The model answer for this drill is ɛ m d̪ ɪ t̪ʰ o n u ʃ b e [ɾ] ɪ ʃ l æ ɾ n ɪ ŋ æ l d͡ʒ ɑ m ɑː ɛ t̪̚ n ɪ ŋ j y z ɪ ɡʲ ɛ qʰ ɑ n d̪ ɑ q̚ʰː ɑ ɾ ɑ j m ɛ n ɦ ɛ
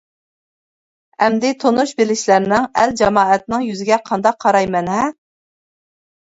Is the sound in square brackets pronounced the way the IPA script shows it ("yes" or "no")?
no